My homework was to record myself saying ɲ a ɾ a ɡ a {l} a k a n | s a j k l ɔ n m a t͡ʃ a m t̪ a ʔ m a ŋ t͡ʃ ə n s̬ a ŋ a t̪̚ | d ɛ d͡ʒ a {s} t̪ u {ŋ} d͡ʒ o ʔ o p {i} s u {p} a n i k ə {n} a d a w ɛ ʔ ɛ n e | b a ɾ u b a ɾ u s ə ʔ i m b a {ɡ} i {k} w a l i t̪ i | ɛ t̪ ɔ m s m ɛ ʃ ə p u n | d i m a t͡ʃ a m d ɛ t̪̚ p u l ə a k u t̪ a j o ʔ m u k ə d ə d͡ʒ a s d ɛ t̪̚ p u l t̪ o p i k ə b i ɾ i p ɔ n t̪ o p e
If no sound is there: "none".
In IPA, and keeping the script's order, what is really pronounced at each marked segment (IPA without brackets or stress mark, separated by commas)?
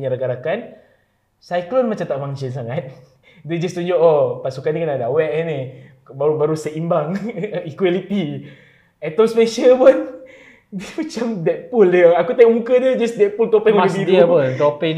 ɾ, s, ɲ, a, k, n, ŋ, k